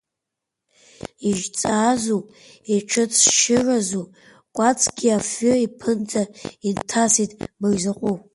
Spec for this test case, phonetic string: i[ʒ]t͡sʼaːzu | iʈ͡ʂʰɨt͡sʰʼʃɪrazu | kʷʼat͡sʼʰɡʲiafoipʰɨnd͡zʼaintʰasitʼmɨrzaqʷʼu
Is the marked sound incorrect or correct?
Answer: correct